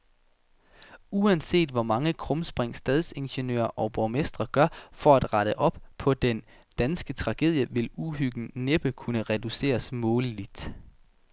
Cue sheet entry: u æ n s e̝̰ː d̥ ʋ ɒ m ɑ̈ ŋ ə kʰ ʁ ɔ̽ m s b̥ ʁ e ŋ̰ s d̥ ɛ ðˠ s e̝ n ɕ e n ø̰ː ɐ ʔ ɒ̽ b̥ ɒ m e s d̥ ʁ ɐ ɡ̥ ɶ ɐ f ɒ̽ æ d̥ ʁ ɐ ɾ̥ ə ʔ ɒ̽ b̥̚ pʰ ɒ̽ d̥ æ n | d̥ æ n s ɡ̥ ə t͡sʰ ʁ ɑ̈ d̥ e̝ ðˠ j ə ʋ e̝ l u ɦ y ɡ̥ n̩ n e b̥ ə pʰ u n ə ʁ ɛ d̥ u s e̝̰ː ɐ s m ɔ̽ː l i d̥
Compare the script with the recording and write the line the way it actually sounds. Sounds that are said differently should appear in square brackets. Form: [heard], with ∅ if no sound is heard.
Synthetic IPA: u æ n s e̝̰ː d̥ ʋ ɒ m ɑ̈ ŋ ə kʰ ʁ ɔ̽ m s b̥ ʁ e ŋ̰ s d̥ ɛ ðˠ s e̝ n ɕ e n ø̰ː ɐ ʔ ɒ̽ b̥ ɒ m e s d̥ ʁ ɐ ɡ̥ ɶ ɐ f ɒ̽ æ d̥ ʁ [ɑ] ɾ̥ ə ʔ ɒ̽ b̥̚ pʰ ɒ̽ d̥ [e] n | d̥ æ n s ɡ̥ ə t͡sʰ ʁ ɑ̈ [ɡ̥] e̝ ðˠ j ə ʋ e̝ l u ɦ y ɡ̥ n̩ n e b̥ ə [kʰ] u n ə ʁ ɛ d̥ u s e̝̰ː ɐ s m ɔ̽ː l i d̥